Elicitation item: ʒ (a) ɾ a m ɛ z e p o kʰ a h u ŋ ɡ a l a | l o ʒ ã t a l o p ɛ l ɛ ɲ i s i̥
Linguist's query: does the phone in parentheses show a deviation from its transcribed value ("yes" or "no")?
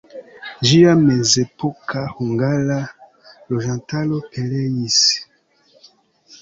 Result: yes